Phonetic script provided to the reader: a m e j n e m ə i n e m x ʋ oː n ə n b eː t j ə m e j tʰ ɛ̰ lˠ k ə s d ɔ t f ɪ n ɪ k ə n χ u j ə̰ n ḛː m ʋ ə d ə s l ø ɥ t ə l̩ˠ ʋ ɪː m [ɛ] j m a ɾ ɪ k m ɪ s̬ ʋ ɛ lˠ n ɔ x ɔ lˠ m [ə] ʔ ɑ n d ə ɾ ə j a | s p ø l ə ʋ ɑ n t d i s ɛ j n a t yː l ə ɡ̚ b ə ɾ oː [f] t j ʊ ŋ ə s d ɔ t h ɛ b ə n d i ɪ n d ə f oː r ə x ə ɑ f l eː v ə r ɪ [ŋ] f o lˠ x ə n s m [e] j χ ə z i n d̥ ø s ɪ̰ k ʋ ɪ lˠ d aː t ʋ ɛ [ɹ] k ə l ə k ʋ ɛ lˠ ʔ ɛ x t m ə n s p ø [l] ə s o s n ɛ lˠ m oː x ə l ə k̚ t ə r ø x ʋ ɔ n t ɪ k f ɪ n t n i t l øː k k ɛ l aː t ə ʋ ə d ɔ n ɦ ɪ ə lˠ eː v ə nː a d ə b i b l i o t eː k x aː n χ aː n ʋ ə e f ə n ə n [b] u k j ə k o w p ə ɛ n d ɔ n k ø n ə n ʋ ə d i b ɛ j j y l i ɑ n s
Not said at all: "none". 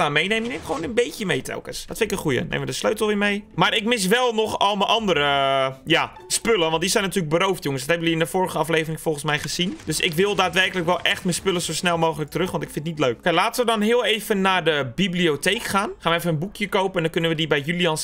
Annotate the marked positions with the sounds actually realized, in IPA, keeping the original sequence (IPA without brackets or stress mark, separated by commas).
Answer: e, ə, f, ŋ, ɛ, r, l, b